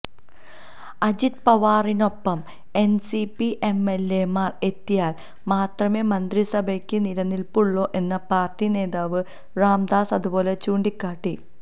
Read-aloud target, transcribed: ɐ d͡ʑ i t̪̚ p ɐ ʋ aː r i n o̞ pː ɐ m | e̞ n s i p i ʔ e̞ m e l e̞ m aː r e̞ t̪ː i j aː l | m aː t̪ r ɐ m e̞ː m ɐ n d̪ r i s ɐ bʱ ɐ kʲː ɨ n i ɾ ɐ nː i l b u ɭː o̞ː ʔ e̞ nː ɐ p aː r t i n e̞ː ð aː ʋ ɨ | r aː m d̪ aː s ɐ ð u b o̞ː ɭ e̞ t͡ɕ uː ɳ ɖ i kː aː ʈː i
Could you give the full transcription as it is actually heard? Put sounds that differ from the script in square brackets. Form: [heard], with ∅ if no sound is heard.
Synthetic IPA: ɐ d͡ʑ i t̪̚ p ɐ ʋ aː r i n o̞ pː ɐ m | e̞ n s i p i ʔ e̞ m e l e̞ m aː r e̞ t̪ː i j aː l | m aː t̪ r ɐ m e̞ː m ɐ n d̪ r i s ɐ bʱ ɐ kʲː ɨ n i ɾ ɐ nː i l [p] u ɭː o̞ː ʔ e̞ nː ɐ p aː r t i n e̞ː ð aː ʋ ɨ | r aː m d̪ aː s ɐ ð u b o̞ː [l] e̞ t͡ɕ uː ɳ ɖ i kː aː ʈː i